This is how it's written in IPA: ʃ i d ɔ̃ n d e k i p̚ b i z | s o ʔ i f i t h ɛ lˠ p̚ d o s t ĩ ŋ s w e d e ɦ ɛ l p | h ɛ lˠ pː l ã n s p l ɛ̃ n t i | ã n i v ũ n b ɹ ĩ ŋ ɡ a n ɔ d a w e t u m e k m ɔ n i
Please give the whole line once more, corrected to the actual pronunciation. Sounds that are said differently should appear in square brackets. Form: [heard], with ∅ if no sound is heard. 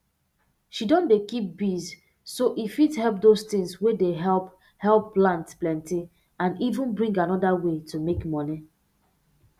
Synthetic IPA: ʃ i d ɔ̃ n d e k i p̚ b i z | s o ʔ i f i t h ɛ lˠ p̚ d o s t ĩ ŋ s w e d e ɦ ɛ l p | h ɛ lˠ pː l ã n [t] p l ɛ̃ n t i | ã n i v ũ n b ɹ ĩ ŋ ɡ a n ɔ d a w e t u m e k m ɔ n i